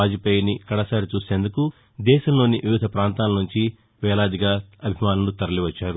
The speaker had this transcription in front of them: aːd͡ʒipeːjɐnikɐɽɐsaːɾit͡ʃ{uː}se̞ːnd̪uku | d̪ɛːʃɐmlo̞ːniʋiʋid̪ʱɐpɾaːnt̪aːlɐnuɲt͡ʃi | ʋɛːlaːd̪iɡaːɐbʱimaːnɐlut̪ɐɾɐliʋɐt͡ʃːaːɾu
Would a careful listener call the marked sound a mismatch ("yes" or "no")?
no